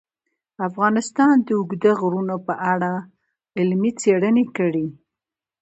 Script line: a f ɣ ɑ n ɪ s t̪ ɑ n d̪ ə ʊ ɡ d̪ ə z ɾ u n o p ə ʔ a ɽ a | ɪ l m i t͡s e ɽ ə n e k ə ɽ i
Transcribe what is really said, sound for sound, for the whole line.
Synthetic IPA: a f ɣ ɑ n ɪ s t̪ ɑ n d̪ ə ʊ ɡ d̪ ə ɣ ɾ u n o p ə ʔ a ɽ a | ɪ l m i t͡s e ɽ ə n e k ə ɽ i